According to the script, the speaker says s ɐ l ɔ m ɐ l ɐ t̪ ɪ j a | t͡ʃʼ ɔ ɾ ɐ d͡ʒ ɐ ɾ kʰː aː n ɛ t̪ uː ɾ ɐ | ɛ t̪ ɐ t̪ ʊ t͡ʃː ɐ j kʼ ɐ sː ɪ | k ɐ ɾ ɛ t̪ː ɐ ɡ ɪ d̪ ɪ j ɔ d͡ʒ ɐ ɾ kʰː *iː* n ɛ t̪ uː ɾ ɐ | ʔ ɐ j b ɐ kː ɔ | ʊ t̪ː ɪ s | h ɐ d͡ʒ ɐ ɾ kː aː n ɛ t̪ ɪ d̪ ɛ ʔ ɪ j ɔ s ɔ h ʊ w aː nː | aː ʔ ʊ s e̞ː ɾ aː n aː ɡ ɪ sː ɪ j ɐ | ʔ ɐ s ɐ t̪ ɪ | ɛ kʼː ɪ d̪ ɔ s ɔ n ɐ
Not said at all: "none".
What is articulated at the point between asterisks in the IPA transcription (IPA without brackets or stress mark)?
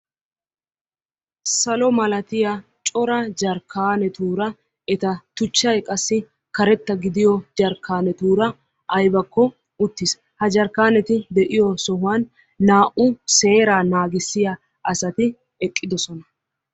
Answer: aː